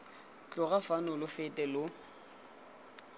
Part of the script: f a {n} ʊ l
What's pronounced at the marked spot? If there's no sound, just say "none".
n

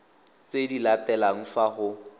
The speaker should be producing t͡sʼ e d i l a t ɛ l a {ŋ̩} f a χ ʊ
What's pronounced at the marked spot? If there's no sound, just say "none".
ŋ̩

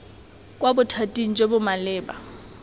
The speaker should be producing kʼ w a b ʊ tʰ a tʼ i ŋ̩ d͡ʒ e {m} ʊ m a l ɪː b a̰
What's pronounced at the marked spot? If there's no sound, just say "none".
b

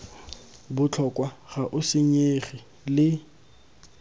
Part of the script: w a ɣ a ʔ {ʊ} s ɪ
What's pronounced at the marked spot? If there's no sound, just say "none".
ʊ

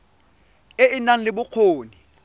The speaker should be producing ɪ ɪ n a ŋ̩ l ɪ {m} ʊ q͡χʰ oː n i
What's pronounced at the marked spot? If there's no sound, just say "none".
b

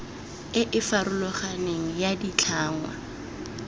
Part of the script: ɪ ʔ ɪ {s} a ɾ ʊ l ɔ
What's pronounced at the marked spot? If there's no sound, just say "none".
f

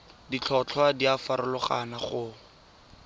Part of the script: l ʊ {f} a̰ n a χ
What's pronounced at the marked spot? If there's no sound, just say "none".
χ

